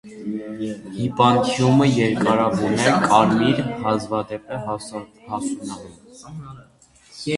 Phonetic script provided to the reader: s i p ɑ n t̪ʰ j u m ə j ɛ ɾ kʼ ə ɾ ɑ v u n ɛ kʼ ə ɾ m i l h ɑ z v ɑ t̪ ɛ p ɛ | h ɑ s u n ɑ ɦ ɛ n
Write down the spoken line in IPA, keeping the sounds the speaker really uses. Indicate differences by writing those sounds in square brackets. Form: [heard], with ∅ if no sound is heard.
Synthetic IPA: [h] i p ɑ n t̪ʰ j u m ə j ɛ ɾ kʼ [ɑ] ɾ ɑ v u n ɛ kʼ [ɑ] ɾ m i [ɾ] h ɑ z v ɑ [d̪] ɛ p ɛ | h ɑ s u n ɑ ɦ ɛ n

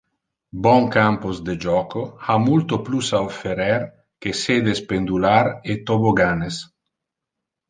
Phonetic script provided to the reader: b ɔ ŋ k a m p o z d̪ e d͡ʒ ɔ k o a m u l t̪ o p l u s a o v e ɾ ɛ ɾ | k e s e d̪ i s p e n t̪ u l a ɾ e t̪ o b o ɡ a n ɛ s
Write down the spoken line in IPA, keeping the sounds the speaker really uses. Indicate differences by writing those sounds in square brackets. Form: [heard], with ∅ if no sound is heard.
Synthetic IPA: b ɔ ŋ k a m p o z d̪ e d͡ʒ ɔ k o a m u l t̪ o p l u s a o [f] e ɾ ɛ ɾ | k e s e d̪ [e] s p e n [d̪] u l a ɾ e t̪ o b o ɡ a n [e] s

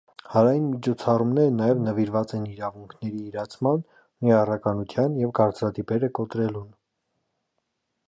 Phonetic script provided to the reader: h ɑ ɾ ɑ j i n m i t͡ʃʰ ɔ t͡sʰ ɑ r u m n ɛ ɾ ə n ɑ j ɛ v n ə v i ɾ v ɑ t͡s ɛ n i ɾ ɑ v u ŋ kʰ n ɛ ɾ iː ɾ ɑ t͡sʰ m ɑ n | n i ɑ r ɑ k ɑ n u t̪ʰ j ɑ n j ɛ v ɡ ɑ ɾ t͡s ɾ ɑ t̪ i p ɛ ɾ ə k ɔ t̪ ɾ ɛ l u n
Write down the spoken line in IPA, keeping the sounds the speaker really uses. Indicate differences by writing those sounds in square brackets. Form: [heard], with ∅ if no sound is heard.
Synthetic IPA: h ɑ ɾ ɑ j i n m i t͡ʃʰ ɔ t͡sʰ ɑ r u m n ɛ ɾ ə n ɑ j ɛ v n ə v i ɾ v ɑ t͡s ɛ n i ɾ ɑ v u ŋ kʰ n ɛ ɾ iː ɾ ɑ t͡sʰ m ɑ n | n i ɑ r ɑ k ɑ n u t̪ʰ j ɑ n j ɛ v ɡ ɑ ɾ t͡s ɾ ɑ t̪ i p ɛ ɾ ə k ɔ t̪ ɾ ɛ l u n

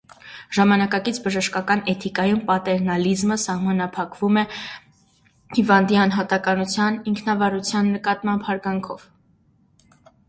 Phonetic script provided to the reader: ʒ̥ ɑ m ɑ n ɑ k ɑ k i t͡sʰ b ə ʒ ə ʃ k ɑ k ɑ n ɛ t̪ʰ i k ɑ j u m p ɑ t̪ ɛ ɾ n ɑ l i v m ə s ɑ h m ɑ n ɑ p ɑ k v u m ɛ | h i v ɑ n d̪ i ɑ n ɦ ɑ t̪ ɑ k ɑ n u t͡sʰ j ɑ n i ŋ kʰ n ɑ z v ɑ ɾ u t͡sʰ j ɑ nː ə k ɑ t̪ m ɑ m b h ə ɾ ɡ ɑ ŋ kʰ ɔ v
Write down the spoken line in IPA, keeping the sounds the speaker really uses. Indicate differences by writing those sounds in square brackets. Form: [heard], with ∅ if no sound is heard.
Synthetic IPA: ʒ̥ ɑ m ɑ n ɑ k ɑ k i t͡sʰ b ə ʒ ə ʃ k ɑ k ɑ n ɛ t̪ʰ i k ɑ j u m p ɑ t̪ ɛ ɾ n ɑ l i [z] m ə s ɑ h m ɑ n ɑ [pʰ] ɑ k v u m ɛ | h i v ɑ n d̪ i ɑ n ɦ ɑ t̪ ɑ k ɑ n u t͡sʰ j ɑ n i ŋ kʰ n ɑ [∅] v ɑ ɾ u t͡sʰ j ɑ nː ə k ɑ t̪ m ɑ m b h [ɑ] ɾ ɡ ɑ ŋ kʰ ɔ v

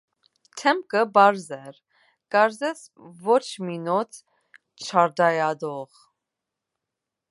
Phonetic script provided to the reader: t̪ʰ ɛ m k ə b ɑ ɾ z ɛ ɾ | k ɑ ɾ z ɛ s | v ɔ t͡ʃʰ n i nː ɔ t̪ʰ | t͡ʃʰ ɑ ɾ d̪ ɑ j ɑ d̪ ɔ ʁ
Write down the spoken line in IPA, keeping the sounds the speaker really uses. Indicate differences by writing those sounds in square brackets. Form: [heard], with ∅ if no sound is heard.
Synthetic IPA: t̪ʰ ɛ m k ə b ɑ ɾ z ɛ ɾ | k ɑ ɾ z ɛ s | v ɔ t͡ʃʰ [m] i [n] ɔ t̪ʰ | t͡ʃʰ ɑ ɾ d̪ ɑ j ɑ d̪ ɔ ʁ

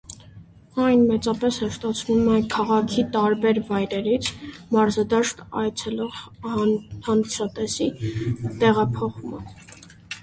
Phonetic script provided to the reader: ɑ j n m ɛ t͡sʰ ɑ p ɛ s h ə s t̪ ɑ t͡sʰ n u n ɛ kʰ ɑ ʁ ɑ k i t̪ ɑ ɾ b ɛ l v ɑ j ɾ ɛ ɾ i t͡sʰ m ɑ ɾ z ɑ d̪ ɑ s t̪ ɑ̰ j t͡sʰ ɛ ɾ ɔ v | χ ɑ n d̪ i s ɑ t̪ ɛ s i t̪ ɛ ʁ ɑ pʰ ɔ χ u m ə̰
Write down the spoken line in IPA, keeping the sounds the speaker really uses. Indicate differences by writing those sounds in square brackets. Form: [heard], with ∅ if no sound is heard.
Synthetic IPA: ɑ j n m ɛ [t͡s] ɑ p ɛ s h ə [ʃ] t̪ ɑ t͡sʰ n u [m] ɛ kʰ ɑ ʁ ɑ [kʰ] i t̪ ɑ ɾ b ɛ [ɾ] v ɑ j ɾ ɛ ɾ i t͡sʰ m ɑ ɾ z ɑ d̪ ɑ [ʃ] t̪ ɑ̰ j t͡sʰ ɛ [l] ɔ [ʁ] | [h] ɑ n d̪ i s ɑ t̪ ɛ s i t̪ ɛ ʁ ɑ pʰ ɔ χ u m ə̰

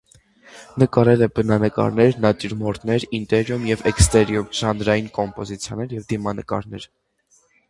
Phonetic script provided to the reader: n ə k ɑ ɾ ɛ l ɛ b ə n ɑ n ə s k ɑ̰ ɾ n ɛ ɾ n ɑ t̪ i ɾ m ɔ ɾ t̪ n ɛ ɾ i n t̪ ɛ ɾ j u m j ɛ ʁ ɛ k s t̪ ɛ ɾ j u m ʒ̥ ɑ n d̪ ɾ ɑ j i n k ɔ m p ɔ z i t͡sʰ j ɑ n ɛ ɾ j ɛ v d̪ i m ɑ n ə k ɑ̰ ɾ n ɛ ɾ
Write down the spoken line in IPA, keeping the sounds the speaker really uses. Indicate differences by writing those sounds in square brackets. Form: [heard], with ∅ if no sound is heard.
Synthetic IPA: n ə k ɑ ɾ ɛ l ɛ b ə n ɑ n ə [∅] k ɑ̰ ɾ n ɛ ɾ n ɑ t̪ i ɾ m ɔ ɾ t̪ n ɛ ɾ i n t̪ ɛ ɾ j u m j ɛ [v] ɛ k s t̪ ɛ ɾ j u m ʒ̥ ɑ n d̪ ɾ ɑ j i n k ɔ m p ɔ z i t͡sʰ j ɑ n ɛ ɾ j ɛ v d̪ i m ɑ n ə k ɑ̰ ɾ n ɛ ɾ

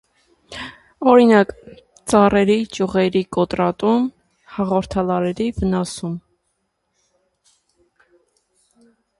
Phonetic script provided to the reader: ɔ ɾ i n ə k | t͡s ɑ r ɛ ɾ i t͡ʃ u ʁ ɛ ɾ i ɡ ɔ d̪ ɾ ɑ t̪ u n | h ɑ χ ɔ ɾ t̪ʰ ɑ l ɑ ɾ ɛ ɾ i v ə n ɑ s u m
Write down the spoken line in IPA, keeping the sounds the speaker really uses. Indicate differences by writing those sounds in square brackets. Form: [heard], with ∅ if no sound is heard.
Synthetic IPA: ɔ ɾ i n [ɑ] k | t͡s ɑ r ɛ ɾ i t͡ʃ u ʁ ɛ ɾ i [k] ɔ [t̪] ɾ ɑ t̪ u [m] | h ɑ [ʁ] ɔ ɾ t̪ʰ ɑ l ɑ ɾ ɛ ɾ i v ə n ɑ s u m

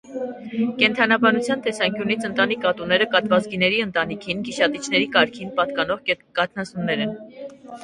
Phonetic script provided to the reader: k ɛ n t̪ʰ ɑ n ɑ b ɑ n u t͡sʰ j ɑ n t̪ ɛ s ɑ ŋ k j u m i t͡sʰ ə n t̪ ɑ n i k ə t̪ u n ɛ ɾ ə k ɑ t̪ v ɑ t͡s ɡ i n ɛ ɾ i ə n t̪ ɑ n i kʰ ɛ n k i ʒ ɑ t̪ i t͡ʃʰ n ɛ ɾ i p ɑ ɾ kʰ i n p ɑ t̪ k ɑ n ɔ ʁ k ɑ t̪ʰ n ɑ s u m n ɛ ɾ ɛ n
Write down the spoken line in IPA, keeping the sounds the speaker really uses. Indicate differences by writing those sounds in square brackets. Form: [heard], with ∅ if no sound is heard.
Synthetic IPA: k ɛ n t̪ʰ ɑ n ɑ b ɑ n u t͡sʰ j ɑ n t̪ ɛ s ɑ ŋ k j u [n] i t͡sʰ ə n t̪ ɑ n i k [ɑ] t̪ u n ɛ ɾ ə k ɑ t̪ v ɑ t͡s ɡ i n ɛ ɾ i ə n t̪ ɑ n i kʰ [i] n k i [ʃ] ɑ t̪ i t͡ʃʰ n ɛ ɾ i [k] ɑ ɾ kʰ i n p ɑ t̪ k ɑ n ɔ ʁ k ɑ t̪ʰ n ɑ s u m n ɛ ɾ ɛ n

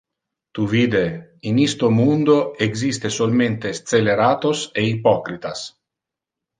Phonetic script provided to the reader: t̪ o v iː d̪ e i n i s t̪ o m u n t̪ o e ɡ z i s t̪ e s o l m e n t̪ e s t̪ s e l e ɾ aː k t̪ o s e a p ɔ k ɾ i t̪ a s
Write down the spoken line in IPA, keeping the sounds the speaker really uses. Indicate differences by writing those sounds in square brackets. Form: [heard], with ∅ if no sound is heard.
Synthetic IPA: t̪ [u] v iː d̪ e i n i s t̪ o m u n [d̪] o e ɡ z i s t̪ e s o l m e n t̪ e s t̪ s e l e ɾ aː [∅] t̪ o s e [i] p ɔ k ɾ i t̪ a s

